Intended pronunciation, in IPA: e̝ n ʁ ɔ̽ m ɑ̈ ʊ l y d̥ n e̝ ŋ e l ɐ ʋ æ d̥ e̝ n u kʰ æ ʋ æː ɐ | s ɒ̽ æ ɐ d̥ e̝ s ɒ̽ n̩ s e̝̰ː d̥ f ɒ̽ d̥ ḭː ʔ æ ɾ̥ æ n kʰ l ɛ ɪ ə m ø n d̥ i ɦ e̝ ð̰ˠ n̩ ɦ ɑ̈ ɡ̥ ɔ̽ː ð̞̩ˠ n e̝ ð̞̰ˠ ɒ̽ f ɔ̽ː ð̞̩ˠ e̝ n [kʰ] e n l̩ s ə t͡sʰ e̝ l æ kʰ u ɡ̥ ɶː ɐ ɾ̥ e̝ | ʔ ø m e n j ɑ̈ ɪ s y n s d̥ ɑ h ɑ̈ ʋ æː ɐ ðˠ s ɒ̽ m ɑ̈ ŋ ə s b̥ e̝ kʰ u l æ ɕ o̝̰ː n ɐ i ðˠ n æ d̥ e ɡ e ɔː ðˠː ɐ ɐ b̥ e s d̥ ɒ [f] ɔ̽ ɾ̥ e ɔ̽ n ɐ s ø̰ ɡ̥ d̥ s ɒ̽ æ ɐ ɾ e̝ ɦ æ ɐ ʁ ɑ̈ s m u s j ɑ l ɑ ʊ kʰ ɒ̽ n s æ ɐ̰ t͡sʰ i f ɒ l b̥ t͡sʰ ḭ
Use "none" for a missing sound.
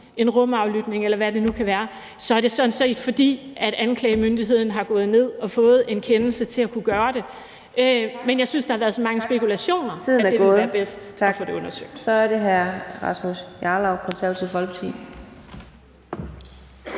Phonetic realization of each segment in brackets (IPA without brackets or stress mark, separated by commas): kʰ, f